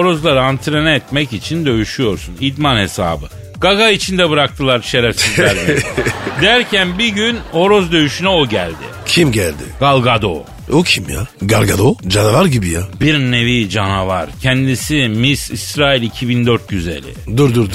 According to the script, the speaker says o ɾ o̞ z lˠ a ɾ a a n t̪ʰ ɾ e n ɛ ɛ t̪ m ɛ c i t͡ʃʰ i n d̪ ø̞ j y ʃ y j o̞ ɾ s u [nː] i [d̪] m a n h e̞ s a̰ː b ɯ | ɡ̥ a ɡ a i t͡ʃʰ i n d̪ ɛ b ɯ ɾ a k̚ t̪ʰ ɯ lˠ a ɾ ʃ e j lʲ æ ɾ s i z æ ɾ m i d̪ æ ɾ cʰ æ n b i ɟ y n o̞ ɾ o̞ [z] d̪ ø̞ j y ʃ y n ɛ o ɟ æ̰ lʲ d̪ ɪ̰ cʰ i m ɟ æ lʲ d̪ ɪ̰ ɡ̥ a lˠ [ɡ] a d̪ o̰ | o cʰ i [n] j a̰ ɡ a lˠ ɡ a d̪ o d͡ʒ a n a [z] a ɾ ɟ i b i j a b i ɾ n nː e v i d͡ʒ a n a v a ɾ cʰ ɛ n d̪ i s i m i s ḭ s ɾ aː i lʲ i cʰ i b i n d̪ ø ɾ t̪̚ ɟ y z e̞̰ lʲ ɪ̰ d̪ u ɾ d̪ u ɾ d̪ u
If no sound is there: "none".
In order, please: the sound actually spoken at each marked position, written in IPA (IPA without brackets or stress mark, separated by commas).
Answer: n, d̪, z, ɡ, m, v